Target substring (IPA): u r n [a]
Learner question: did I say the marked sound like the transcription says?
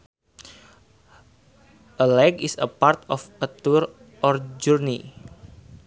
no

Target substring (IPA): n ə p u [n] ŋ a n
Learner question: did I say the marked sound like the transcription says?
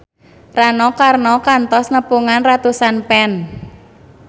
no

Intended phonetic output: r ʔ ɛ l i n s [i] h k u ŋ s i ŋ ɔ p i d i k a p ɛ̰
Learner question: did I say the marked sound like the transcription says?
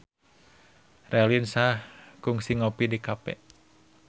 no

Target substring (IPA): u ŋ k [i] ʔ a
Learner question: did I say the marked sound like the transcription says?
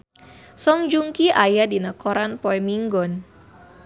yes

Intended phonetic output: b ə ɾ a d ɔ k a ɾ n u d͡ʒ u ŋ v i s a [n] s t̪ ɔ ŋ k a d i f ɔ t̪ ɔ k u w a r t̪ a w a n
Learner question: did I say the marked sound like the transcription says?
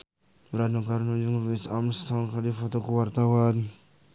no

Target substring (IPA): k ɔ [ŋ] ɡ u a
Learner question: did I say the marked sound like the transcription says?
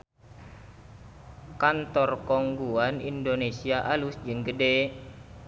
yes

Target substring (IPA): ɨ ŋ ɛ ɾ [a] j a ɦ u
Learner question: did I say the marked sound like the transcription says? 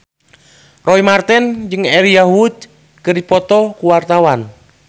no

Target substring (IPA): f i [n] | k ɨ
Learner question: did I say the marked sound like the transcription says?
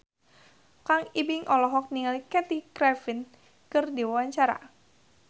yes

